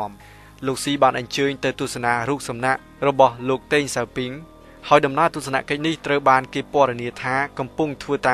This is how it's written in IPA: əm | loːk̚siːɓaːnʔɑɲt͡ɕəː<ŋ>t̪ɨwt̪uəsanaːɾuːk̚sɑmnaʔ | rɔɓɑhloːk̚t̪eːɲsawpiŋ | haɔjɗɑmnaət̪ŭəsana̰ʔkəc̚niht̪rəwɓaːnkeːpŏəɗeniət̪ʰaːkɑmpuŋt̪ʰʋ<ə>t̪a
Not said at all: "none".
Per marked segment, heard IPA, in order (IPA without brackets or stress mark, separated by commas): ɲ, əː